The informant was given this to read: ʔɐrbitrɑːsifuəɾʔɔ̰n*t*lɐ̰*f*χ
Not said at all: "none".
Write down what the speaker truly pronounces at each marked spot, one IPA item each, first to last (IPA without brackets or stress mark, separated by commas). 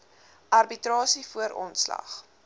s, none